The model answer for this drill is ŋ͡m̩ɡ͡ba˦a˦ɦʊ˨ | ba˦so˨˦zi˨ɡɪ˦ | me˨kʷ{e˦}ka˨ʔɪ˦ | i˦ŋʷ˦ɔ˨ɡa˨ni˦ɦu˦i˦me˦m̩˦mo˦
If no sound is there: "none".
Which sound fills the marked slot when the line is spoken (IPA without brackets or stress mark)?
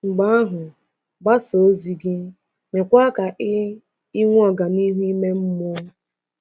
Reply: a˦